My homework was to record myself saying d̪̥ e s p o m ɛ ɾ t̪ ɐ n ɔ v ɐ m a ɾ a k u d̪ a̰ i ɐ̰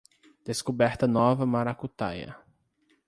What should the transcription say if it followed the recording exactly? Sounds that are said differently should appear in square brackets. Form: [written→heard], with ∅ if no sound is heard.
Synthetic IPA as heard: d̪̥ e s [p→k] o [m→b] ɛ ɾ t̪ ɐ n ɔ v ɐ m a ɾ a k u [d̪→t̪] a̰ [i→j] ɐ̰